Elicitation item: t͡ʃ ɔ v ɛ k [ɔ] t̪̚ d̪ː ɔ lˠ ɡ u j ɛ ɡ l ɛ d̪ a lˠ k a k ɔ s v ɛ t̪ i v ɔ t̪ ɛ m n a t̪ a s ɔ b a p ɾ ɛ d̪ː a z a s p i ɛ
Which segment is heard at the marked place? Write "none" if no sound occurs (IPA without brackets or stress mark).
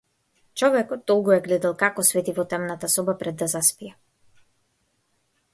ɔ